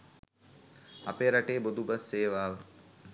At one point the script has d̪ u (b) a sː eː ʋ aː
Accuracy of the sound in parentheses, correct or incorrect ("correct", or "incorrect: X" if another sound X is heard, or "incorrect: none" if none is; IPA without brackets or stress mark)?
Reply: correct